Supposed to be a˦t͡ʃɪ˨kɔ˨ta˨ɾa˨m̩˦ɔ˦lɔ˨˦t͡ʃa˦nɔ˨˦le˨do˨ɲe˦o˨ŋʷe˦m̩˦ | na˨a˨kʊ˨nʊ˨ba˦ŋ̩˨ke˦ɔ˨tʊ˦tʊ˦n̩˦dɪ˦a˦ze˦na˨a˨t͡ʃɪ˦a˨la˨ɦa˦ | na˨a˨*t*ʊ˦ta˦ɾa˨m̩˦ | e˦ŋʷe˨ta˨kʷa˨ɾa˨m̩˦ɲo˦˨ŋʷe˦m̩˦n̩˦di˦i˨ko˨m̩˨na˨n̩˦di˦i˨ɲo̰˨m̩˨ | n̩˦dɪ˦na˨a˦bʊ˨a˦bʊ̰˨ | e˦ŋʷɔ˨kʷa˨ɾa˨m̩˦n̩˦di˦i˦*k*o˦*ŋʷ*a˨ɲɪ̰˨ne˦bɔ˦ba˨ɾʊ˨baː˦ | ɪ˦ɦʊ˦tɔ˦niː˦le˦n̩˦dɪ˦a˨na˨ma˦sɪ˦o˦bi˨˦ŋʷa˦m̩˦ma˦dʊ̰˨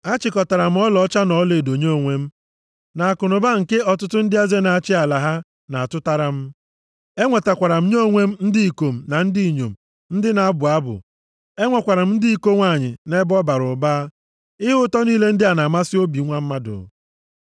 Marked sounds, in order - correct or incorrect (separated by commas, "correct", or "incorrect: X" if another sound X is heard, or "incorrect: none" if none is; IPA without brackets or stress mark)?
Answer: correct, correct, correct